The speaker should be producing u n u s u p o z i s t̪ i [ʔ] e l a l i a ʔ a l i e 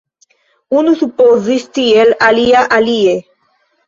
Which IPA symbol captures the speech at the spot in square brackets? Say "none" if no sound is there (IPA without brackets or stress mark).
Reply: none